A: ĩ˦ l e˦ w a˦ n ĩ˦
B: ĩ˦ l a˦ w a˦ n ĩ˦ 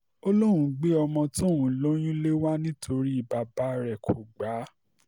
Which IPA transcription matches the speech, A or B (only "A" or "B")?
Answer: A